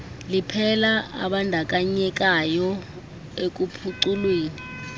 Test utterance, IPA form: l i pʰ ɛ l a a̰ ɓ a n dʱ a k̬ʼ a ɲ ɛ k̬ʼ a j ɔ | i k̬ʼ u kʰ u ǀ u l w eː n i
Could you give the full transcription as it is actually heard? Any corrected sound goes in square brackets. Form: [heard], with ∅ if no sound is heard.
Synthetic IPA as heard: l i pʰ ɛ l a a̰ ɓ a n dʱ a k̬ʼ a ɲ ɛ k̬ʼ a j ɔ | [e] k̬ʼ u [pʰ] u ǀ u l w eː n i